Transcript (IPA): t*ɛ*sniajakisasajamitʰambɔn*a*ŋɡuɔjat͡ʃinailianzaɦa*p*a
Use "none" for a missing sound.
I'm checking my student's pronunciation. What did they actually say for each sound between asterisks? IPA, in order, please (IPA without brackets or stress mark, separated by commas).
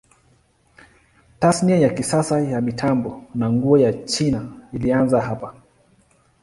a, a, p